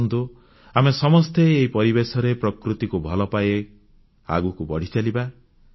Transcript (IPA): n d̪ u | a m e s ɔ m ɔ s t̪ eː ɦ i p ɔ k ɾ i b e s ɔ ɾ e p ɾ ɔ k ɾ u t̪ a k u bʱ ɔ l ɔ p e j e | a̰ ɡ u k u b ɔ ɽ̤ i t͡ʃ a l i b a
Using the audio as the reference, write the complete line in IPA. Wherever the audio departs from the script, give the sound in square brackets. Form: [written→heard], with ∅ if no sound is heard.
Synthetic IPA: n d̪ u | a m e s ɔ m ɔ s t̪ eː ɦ i p ɔ [k→∅] ɾ i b e s ɔ ɾ e p ɾ ɔ k ɾ u t̪ [a→i] k u bʱ ɔ l ɔ p [e→a] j e | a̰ ɡ u k u b ɔ ɽ̤ i t͡ʃ a l i b a